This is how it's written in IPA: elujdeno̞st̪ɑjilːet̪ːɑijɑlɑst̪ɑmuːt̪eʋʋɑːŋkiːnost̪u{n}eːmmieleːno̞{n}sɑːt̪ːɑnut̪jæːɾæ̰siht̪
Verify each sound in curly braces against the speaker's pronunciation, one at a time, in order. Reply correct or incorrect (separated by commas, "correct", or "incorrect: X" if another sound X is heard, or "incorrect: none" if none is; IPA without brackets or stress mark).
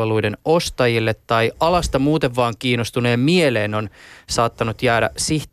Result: correct, correct